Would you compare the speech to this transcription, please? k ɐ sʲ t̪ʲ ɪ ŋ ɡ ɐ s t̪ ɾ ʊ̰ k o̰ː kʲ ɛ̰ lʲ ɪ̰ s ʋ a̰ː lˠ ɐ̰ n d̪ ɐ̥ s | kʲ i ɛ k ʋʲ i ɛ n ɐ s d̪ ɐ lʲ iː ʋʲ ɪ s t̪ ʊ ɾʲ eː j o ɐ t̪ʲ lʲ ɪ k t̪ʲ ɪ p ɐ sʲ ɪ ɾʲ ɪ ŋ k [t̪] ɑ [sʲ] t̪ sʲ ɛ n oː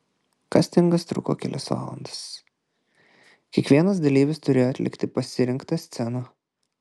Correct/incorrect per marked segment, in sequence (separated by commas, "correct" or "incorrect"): correct, correct